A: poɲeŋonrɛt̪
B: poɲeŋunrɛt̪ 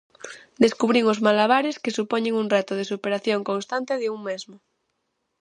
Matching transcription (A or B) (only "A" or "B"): B